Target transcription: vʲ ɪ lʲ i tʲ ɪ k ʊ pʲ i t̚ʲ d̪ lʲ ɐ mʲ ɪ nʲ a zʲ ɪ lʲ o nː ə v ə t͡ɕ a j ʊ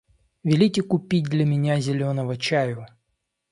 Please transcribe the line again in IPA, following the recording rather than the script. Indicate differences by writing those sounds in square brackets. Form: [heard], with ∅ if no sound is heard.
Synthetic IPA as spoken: vʲ ɪ lʲ i tʲ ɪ k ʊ pʲ i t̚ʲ d̪ lʲ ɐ mʲ ɪ nʲ a zʲ ɪ lʲ o [n] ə v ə t͡ɕ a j ʊ